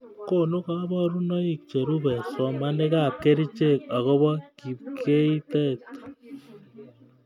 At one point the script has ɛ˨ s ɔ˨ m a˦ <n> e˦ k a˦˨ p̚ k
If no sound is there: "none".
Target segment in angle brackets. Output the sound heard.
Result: n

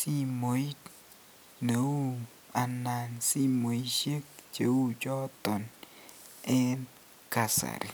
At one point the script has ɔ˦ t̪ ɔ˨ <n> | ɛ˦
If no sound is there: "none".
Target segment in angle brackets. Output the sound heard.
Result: n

